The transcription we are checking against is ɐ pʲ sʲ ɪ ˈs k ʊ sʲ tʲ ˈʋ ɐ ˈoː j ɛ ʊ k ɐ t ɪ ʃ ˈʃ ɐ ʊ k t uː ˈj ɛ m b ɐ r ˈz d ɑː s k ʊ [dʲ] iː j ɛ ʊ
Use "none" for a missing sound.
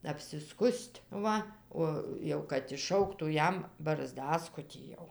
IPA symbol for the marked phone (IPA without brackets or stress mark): tʲ